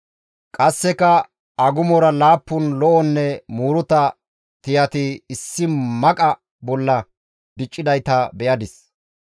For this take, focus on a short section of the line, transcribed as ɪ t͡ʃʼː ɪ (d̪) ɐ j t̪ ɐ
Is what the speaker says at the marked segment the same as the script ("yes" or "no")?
yes